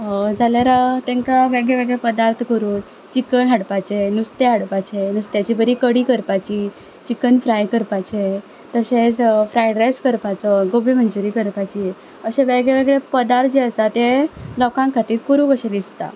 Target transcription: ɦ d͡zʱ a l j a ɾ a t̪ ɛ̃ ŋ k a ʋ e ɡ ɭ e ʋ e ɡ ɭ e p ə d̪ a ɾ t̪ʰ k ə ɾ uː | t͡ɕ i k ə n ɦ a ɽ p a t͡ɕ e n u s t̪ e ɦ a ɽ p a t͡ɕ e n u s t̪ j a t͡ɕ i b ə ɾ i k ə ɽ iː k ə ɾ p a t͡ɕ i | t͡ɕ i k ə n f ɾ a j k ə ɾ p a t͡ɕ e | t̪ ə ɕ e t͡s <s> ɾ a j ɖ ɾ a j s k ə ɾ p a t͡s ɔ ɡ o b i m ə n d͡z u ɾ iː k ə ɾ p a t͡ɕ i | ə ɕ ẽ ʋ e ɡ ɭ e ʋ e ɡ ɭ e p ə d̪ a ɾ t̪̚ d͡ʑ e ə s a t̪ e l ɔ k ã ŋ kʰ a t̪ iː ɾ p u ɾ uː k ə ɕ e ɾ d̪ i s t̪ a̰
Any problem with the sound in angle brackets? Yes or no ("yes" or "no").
yes